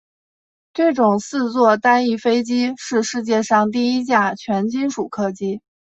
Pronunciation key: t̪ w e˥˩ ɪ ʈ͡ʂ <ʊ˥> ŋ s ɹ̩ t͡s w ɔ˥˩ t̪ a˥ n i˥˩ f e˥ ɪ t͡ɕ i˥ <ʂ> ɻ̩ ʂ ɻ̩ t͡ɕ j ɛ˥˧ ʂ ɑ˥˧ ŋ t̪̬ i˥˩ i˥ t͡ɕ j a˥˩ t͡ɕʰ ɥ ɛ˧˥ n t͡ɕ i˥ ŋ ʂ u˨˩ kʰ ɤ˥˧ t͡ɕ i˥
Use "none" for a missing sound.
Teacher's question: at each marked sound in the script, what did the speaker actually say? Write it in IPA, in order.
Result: ʊ˨˩, ʂ

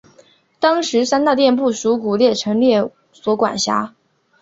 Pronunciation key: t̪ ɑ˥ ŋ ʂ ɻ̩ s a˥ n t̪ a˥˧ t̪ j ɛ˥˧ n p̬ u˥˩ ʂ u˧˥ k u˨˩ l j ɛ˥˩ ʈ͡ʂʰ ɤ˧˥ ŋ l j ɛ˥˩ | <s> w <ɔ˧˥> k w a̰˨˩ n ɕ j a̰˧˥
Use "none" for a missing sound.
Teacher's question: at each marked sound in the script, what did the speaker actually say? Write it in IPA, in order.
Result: s, ɔ˧˥

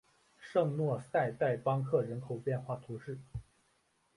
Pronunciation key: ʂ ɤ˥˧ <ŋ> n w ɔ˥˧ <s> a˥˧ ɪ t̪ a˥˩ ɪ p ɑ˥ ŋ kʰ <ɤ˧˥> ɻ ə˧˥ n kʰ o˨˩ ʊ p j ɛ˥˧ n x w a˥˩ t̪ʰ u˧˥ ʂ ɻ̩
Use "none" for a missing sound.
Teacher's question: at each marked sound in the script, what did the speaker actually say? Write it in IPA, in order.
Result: ŋ, s, ɤ˥˩

